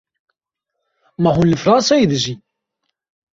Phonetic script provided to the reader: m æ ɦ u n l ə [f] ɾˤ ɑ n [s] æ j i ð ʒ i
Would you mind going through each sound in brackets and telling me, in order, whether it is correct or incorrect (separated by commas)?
correct, correct